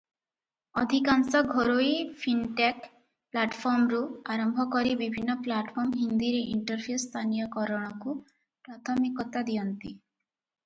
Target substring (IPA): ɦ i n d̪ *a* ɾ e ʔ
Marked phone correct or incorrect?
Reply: incorrect